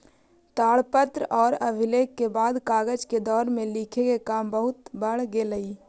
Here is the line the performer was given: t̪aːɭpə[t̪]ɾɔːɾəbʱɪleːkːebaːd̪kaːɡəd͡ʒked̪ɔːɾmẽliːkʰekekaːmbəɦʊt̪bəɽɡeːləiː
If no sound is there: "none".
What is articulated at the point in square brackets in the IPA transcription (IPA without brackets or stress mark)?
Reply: t̪